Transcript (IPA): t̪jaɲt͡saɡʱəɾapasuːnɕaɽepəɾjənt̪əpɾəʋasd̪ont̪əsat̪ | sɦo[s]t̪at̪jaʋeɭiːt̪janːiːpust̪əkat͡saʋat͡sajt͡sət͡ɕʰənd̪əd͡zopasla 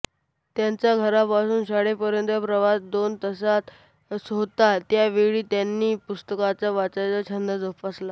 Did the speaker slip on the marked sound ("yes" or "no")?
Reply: yes